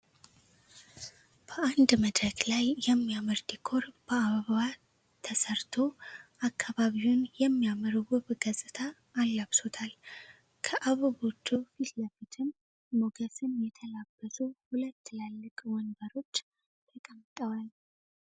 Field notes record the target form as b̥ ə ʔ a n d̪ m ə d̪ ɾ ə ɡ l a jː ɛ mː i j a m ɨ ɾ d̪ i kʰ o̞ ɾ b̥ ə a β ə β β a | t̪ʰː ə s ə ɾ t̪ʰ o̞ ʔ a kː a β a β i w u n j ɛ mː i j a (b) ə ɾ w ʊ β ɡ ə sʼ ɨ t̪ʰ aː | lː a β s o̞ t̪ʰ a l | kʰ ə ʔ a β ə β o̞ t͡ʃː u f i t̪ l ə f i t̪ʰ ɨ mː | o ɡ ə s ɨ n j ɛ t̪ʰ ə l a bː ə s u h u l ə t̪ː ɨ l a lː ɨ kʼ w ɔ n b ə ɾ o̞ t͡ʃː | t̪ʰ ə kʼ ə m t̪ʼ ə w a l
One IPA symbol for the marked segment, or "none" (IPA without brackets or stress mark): m